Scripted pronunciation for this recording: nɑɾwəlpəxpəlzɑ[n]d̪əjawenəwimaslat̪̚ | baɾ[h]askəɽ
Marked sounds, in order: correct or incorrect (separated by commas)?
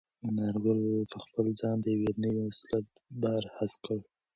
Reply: correct, correct